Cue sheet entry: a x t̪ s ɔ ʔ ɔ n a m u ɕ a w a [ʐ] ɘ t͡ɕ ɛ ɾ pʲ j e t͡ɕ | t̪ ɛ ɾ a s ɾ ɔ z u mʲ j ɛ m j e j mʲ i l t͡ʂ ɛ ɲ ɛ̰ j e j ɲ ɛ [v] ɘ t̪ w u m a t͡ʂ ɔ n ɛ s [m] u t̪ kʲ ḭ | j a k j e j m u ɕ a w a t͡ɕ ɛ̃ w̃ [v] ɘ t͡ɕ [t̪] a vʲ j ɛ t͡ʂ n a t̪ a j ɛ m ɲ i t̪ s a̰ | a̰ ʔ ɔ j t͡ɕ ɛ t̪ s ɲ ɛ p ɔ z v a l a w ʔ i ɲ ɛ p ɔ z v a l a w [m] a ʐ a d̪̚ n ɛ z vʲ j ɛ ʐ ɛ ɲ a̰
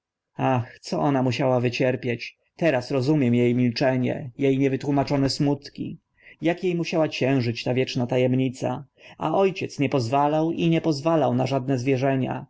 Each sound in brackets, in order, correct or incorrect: incorrect: v, correct, correct, incorrect: ʐ, correct, incorrect: n

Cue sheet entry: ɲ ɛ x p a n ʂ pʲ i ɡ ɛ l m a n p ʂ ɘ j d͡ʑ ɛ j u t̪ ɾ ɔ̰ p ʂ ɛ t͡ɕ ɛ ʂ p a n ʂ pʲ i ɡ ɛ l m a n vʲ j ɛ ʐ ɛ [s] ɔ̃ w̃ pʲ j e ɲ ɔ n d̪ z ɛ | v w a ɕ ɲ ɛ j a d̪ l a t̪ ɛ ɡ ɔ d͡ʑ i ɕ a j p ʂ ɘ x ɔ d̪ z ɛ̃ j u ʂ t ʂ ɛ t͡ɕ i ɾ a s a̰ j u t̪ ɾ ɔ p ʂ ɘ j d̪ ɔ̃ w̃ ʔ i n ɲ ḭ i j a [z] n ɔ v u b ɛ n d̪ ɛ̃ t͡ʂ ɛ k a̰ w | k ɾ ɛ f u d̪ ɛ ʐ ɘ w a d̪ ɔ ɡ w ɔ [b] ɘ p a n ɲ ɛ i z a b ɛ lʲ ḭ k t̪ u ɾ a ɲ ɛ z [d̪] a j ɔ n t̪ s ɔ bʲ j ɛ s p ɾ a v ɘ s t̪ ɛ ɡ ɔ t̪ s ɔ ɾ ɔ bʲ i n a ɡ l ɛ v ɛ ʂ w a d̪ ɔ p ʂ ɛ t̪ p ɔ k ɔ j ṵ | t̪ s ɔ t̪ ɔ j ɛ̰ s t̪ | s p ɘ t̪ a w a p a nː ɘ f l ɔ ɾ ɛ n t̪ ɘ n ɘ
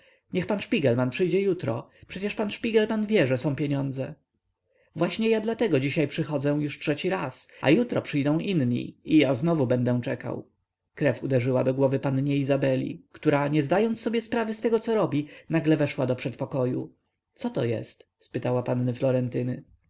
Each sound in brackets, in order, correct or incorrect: correct, correct, incorrect: v, correct

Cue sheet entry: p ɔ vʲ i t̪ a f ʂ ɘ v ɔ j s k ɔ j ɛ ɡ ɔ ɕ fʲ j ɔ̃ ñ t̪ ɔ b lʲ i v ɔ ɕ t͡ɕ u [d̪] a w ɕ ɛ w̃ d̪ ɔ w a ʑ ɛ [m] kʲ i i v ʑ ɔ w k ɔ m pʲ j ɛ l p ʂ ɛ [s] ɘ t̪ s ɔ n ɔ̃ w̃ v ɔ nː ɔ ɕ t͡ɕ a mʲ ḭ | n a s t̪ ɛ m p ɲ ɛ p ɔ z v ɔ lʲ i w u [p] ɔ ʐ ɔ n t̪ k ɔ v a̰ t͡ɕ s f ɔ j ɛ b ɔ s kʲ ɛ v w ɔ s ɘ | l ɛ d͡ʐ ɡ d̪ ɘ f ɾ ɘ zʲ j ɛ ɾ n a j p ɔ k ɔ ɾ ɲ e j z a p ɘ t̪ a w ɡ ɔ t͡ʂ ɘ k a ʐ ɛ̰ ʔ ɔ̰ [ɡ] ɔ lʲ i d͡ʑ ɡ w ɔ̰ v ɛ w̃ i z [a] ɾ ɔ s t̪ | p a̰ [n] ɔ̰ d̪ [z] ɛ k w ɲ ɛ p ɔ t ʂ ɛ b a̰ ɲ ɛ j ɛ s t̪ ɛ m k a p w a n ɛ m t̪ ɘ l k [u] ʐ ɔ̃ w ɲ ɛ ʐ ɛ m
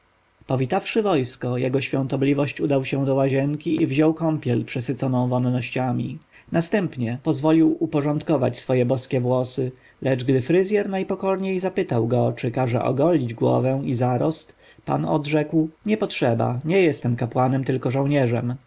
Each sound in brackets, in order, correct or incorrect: correct, incorrect: ŋ, correct, correct, correct, correct, correct, incorrect: ʐ, incorrect: ɔ

